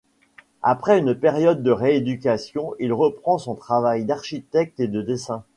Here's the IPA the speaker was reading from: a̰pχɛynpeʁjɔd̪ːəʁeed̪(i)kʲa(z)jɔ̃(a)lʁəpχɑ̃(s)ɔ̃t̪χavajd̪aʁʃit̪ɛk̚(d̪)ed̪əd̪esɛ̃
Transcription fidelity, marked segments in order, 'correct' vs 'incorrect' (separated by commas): incorrect, incorrect, incorrect, correct, incorrect